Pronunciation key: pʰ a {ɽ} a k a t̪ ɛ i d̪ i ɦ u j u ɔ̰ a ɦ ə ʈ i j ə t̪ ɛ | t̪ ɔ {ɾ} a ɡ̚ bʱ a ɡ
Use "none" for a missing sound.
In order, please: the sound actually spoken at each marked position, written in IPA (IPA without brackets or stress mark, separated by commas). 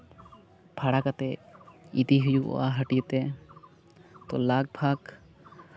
ɽ, l